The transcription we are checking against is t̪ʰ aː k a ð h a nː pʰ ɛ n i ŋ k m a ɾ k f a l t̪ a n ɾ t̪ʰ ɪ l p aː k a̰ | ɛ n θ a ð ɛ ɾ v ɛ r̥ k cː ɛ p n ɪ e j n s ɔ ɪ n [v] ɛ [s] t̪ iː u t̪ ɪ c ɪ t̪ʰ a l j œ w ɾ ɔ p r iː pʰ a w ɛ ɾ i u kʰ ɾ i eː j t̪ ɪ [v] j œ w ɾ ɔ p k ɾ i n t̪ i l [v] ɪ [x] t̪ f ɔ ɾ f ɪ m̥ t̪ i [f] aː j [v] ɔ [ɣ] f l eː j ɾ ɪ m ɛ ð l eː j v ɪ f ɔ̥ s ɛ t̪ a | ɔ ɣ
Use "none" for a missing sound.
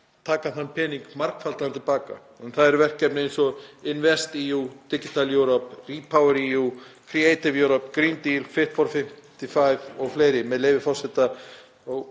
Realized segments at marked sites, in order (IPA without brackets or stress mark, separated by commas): v, s, v, f, h, f, v, ɣ